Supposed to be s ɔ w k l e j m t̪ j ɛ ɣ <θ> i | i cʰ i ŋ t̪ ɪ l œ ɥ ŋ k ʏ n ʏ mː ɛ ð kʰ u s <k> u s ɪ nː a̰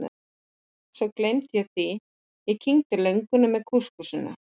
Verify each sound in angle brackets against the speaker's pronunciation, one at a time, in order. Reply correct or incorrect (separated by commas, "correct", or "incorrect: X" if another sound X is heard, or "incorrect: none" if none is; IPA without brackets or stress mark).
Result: correct, correct